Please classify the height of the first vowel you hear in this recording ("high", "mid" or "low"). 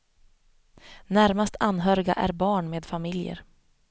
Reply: low